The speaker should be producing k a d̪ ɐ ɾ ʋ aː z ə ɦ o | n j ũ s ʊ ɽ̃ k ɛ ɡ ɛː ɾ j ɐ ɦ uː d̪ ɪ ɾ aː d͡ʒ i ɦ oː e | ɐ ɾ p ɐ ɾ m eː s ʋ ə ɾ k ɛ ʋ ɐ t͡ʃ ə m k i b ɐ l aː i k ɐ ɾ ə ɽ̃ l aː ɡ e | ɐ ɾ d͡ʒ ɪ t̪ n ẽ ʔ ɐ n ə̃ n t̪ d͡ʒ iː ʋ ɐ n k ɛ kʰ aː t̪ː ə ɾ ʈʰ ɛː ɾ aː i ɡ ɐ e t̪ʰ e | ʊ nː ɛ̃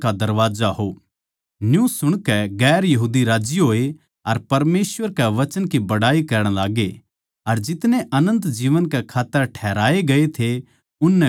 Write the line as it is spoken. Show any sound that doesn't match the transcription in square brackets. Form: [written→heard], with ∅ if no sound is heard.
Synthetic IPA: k a d̪ ɐ ɾ ʋ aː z [ə→a] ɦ o | n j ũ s ʊ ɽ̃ k ɛ ɡ ɛː ɾ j ɐ ɦ uː d̪ [ɪ→i] ɾ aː d͡ʒ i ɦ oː e | ɐ ɾ p ɐ ɾ m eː s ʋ ə ɾ k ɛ ʋ ɐ t͡ʃ ə [m→n] k i b ɐ [l→ɽ] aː i k ɐ ɾ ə ɽ̃ l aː ɡ e | ɐ ɾ d͡ʒ ɪ t̪ n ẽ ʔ ɐ n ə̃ n t̪ d͡ʒ iː ʋ [ɐ→ə] n k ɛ kʰ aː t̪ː ə ɾ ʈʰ ɛː ɾ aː [i→e] ɡ ɐ e t̪ʰ e | ʊ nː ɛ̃